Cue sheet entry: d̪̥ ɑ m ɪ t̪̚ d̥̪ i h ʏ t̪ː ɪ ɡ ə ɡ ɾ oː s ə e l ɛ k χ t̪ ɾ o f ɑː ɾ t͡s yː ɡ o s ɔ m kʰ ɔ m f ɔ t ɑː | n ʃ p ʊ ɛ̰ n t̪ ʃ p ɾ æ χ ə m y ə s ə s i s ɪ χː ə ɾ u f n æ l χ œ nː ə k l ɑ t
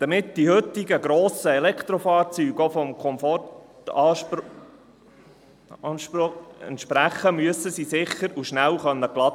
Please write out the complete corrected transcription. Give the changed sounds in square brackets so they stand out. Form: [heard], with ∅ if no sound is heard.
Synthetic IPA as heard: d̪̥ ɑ m ɪ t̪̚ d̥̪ i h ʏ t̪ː ɪ ɡ ə ɡ ɾ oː s ə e l ɛ k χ t̪ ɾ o f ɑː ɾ t͡s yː ɡ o [f] ɔ m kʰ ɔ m f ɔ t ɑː | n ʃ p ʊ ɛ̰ n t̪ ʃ p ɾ æ χ ə m y ə s ə s i s ɪ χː ə ɾ u [ʃ] n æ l χ œ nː ə k l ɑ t

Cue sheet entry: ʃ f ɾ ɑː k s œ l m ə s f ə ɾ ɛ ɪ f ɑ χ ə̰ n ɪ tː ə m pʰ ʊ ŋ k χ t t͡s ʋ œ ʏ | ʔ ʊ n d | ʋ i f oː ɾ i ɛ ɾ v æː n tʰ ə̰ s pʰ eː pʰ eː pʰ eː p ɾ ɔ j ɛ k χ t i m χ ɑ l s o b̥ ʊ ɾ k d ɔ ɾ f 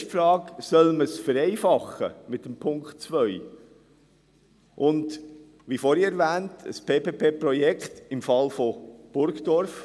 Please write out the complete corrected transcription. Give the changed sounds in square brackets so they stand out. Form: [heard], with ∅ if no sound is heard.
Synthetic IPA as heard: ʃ f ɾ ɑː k s œ l m ə s f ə ɾ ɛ ɪ f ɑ χ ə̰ [m] ɪ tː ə m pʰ ʊ ŋ k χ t t͡s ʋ œ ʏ | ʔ ʊ n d | ʋ i f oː ɾ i ɛ ɾ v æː n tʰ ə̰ s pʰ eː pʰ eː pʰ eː p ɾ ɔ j ɛ k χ t [ɪ] m [f] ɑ l [f] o b̥ ʊ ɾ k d ɔ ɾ f

